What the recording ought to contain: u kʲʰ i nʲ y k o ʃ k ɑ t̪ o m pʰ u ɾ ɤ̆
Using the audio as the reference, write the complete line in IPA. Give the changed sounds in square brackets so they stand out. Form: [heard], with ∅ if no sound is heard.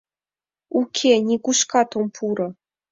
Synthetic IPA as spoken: u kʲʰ [e] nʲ [i] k [u] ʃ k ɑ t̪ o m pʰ u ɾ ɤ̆